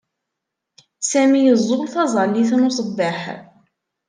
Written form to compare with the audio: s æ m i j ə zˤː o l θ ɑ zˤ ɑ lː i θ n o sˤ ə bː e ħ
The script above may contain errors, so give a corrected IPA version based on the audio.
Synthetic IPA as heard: s æ m i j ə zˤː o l θ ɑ zˤ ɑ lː i θ n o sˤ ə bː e ħ